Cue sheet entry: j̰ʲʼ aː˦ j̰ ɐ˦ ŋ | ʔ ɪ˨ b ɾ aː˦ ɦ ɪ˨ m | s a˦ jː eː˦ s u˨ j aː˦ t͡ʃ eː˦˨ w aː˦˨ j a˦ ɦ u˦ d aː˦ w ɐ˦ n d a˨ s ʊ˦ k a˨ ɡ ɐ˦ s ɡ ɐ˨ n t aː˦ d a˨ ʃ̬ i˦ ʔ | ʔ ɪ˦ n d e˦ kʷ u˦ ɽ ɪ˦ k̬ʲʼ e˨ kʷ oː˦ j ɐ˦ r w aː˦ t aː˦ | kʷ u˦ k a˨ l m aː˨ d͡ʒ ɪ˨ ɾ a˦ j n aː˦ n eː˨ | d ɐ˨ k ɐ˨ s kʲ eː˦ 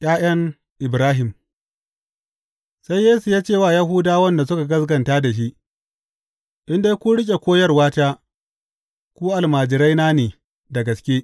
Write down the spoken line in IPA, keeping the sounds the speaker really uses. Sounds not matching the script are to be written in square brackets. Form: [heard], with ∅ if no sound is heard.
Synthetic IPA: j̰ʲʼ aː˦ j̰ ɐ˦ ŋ | ʔ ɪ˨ b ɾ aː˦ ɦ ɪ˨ m | s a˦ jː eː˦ s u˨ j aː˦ t͡ʃ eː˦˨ w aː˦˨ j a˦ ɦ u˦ d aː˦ w ɐ˦ n d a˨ s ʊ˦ k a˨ ɡ ɐ˦ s ɡ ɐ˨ n t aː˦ d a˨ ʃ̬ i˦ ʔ | ʔ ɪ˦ n d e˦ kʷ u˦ ɽ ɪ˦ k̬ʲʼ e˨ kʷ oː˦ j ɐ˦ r w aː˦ t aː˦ | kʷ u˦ [ʔ] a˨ l m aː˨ d͡ʒ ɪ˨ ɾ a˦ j n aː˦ n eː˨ | d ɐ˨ [ɡ] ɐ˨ s kʲ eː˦

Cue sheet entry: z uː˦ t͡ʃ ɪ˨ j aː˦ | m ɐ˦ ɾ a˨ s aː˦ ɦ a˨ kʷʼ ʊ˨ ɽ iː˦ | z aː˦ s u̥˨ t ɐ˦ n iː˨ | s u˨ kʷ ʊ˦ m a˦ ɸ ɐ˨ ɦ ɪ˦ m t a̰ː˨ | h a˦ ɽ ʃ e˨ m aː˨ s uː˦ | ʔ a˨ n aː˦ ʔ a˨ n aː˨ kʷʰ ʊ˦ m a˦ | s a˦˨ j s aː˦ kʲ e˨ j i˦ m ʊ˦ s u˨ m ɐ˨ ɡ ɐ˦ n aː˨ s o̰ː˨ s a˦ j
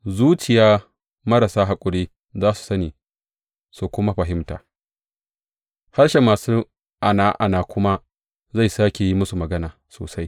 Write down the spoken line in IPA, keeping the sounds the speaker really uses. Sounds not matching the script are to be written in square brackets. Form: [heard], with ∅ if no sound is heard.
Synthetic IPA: z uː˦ t͡ʃ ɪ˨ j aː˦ | m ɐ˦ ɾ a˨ s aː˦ ɦ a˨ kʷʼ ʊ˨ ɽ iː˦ | z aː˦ s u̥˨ [s] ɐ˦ n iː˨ | s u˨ kʷ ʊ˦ m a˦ ɸ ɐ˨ ɦ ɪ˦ m t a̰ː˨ | h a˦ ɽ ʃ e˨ m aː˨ s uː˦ | ʔ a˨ n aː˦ ʔ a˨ n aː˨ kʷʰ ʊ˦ m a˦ | [z] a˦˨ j s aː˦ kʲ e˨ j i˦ m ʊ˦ s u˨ m ɐ˨ ɡ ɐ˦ n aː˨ s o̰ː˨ s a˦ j

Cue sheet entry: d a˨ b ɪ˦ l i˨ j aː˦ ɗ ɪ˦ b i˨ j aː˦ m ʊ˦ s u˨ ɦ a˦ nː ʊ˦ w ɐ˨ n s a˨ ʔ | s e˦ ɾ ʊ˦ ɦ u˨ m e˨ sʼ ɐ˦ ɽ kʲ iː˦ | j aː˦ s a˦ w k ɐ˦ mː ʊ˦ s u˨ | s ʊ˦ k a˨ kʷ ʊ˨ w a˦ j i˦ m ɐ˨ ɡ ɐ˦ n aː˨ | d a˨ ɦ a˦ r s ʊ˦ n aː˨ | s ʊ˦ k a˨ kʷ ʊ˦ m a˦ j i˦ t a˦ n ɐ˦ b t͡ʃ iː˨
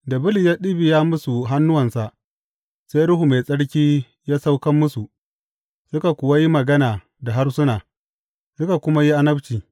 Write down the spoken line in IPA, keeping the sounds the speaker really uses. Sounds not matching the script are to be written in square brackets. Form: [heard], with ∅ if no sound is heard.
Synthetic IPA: d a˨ b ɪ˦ l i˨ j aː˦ ɗ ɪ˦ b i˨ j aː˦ m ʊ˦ s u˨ ɦ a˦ nː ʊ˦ w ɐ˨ n s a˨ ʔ | s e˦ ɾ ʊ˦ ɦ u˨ m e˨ sʼ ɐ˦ ɽ kʲ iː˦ | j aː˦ s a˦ w k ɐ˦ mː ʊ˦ s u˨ | s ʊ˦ k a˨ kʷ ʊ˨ w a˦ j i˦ m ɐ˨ ɡ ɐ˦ n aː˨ | d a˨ ɦ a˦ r s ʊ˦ n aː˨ | s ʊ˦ k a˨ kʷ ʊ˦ m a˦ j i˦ [ʔ] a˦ n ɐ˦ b t͡ʃ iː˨

